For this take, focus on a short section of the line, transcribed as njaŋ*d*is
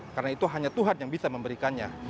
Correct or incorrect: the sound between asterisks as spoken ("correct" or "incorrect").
incorrect